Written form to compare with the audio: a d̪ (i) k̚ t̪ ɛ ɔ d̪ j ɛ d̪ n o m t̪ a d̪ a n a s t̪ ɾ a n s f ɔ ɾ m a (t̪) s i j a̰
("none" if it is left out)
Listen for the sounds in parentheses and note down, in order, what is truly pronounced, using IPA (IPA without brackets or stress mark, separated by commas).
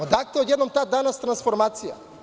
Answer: a, t̪